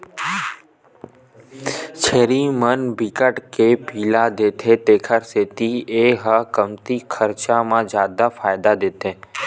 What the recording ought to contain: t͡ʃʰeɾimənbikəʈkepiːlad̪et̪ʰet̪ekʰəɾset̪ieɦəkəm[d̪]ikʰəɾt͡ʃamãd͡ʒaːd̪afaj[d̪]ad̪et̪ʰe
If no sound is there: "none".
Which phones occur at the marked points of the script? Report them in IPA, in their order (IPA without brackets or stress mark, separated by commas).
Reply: t̪, d̪